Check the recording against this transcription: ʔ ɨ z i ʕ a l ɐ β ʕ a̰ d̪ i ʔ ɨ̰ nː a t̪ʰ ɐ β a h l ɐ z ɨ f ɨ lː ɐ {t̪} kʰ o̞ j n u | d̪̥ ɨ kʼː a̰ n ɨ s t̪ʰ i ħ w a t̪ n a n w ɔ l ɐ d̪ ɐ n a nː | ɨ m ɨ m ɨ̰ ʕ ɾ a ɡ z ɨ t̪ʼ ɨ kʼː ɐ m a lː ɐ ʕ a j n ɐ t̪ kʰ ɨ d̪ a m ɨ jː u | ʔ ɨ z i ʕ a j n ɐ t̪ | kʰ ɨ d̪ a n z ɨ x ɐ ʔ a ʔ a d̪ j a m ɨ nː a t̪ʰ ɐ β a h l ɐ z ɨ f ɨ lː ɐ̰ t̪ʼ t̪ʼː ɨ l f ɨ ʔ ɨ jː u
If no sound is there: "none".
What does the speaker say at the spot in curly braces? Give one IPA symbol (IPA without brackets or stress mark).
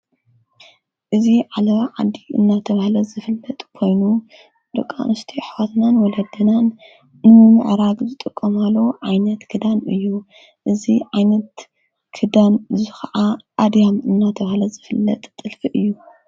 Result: t̪ʼ